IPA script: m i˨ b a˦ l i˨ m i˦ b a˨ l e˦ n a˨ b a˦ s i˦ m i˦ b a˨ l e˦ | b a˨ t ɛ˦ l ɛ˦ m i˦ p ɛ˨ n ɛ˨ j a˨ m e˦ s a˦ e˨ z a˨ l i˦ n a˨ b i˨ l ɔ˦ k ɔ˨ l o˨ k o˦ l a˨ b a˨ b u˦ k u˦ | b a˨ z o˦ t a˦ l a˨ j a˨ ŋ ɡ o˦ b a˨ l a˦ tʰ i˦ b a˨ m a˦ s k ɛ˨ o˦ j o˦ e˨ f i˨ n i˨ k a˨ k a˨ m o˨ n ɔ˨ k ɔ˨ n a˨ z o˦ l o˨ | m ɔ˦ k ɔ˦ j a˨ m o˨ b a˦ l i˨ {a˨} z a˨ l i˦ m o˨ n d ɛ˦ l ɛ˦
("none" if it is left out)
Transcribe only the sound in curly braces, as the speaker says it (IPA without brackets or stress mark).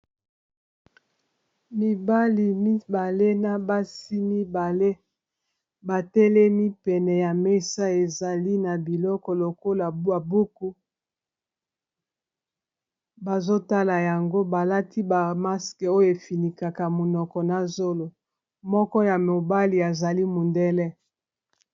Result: a˨